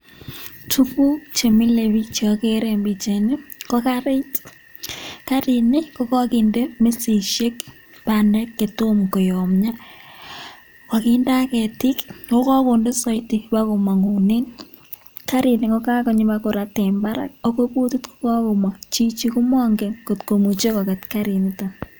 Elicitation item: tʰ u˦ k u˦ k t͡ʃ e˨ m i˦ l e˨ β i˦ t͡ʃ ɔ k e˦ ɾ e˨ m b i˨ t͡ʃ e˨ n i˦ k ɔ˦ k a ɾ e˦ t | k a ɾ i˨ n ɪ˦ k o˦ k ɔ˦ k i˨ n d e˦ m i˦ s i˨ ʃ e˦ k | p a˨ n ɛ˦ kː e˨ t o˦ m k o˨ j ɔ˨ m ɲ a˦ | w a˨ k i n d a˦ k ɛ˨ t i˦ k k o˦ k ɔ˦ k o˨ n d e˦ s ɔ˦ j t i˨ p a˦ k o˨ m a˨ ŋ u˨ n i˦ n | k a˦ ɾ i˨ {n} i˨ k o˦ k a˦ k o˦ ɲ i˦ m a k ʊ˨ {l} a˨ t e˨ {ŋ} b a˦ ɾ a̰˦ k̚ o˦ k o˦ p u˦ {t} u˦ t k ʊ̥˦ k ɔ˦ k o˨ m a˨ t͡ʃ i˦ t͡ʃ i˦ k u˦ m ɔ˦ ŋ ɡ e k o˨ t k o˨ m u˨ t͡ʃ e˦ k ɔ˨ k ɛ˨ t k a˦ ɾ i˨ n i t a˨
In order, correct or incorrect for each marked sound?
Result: correct, incorrect, incorrect, correct

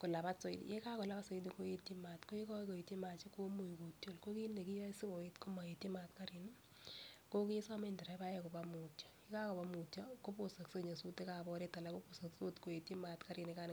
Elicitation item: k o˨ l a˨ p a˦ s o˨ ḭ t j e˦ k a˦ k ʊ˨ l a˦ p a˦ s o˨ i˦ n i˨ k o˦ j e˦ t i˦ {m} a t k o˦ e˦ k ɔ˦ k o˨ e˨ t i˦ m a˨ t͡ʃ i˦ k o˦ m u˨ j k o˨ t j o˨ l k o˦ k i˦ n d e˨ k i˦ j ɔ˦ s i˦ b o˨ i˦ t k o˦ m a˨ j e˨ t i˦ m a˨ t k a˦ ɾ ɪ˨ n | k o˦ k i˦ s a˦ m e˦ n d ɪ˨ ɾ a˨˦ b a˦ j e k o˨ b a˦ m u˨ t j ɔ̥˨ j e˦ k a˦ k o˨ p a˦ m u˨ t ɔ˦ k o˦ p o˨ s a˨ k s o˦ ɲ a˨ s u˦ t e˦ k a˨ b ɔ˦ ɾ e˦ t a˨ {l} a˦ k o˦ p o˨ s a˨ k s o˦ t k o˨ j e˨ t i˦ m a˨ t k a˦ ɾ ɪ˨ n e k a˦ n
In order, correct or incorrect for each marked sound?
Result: correct, correct

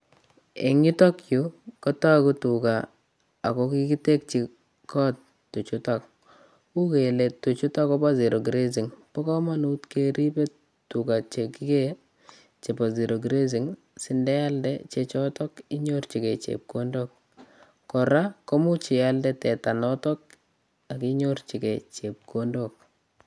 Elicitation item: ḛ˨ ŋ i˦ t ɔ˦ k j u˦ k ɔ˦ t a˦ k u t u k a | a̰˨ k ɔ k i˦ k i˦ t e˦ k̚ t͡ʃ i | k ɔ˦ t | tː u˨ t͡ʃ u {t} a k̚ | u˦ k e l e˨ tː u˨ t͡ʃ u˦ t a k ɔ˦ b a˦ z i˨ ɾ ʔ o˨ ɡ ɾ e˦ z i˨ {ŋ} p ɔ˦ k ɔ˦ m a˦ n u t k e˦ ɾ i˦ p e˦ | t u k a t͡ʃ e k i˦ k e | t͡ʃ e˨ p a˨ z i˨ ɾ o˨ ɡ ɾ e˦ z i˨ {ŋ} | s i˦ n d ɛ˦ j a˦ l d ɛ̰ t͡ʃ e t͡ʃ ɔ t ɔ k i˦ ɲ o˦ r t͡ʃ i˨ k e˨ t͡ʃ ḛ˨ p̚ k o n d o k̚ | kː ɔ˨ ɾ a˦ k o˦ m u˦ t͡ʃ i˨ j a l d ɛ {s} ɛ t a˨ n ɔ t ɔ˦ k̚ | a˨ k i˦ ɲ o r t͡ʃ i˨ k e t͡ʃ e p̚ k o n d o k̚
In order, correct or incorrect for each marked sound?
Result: correct, correct, correct, incorrect

